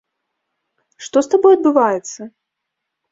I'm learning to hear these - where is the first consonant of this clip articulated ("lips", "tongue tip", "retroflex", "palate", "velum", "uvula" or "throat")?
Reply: retroflex